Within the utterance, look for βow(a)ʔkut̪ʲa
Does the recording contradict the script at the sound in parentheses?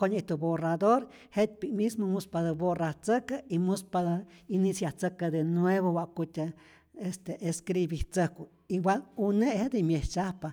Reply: no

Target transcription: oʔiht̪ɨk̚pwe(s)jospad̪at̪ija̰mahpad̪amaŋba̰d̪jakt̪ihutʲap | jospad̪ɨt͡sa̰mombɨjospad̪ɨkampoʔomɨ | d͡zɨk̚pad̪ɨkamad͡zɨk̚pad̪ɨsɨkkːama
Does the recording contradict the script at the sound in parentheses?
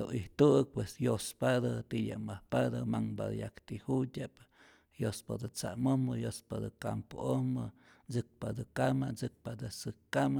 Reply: no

